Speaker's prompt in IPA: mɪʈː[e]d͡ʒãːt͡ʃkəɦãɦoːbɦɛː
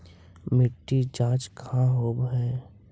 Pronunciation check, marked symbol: incorrect: i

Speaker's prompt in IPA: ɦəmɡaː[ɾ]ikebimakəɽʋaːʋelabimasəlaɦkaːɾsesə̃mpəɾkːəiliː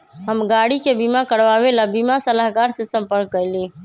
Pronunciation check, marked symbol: incorrect: ɽ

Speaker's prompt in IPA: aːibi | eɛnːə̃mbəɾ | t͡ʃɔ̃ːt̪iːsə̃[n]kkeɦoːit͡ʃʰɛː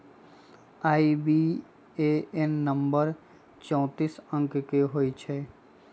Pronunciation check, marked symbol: incorrect: ŋ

